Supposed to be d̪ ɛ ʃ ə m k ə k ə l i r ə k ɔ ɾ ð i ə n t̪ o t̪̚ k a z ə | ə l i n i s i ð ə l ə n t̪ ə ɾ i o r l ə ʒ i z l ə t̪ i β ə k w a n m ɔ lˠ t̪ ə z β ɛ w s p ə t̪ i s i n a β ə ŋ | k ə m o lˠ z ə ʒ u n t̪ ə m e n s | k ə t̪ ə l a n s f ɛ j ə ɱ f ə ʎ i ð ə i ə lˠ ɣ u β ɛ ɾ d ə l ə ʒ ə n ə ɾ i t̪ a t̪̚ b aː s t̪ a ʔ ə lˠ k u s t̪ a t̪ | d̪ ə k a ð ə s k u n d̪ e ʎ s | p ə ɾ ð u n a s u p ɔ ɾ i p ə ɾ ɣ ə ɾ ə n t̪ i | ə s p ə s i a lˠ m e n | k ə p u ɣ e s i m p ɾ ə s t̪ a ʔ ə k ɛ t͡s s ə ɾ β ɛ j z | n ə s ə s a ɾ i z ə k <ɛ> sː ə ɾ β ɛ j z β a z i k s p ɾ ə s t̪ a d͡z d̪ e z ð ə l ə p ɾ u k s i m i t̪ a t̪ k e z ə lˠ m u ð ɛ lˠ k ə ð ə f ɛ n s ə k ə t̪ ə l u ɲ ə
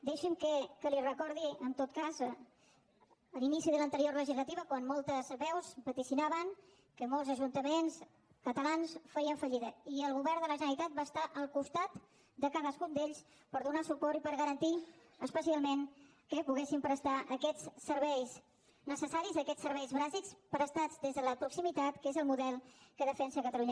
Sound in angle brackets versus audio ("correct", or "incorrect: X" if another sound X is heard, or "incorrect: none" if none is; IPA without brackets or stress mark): correct